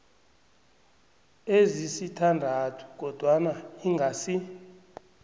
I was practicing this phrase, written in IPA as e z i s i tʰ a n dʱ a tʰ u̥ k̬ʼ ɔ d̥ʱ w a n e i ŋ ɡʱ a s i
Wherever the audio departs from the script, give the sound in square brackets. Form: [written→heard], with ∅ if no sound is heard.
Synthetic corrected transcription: e z i s i tʰ a n dʱ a tʰ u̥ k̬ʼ ɔ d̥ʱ w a n [e→a] i ŋ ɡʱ a s i